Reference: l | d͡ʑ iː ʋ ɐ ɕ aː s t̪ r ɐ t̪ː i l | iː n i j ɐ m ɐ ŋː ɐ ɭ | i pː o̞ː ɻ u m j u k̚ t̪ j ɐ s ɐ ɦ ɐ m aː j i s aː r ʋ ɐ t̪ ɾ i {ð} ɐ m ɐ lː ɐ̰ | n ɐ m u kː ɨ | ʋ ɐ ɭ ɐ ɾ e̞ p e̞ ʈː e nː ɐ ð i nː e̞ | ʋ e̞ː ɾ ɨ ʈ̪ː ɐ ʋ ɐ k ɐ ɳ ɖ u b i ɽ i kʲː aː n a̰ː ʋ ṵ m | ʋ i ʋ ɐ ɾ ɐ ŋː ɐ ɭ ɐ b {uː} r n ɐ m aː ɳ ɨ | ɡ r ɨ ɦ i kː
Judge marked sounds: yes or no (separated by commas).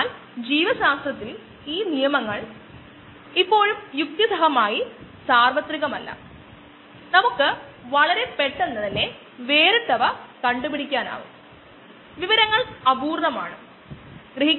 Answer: no, yes